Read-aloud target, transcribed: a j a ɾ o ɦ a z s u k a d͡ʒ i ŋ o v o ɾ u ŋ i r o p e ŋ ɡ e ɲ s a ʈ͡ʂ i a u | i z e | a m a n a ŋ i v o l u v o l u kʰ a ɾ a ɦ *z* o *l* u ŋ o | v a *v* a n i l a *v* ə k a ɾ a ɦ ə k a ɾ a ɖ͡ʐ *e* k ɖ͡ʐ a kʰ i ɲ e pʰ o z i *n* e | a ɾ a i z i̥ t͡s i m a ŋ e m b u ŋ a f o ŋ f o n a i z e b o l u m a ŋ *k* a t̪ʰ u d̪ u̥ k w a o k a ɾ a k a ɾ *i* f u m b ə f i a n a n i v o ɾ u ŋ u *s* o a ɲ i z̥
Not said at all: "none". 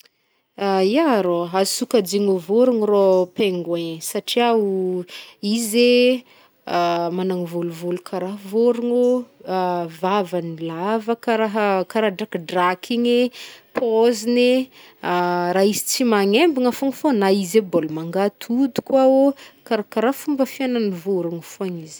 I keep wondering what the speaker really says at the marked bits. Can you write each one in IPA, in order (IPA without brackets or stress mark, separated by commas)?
v, ɾ, v, v, a, n, ɡ, a, f